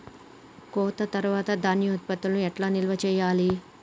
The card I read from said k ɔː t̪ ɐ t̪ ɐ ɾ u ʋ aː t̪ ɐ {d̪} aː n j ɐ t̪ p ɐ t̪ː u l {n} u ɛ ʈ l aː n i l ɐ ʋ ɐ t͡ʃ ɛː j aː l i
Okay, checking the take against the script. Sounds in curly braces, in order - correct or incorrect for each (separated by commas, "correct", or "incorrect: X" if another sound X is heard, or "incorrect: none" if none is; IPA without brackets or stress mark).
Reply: correct, correct